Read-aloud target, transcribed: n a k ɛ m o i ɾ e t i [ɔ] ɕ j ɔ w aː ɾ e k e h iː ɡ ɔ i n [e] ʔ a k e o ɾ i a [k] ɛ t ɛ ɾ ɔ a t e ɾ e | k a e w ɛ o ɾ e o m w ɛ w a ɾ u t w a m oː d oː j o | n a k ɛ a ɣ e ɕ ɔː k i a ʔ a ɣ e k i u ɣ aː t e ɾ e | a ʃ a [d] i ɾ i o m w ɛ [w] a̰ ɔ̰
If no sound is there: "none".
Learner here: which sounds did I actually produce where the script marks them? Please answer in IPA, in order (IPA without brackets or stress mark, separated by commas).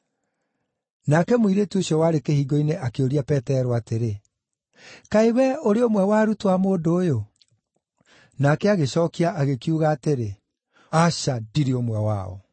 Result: o, e, p, d, w